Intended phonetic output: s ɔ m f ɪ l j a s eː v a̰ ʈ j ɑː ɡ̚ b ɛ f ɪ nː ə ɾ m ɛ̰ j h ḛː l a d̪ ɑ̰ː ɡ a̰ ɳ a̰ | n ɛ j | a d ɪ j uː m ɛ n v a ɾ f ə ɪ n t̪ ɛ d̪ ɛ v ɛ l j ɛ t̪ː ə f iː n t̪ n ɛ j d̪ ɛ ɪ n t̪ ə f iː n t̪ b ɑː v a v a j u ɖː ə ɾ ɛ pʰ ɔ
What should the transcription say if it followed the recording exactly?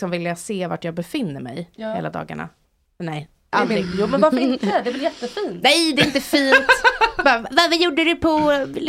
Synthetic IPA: s ɔ m v ɪ l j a s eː v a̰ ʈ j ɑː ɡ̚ b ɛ f ɪ nː ə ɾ m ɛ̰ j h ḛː l a d̪ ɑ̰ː ɡ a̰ ɳ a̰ | n ɛ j | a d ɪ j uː m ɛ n v a ɾ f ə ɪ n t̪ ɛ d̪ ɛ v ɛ l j ɛ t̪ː ə f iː n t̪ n ɛ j d̪ ɛ ɪ n t̪ ə f iː n t̪ b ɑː v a v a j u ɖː ə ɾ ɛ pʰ ɔ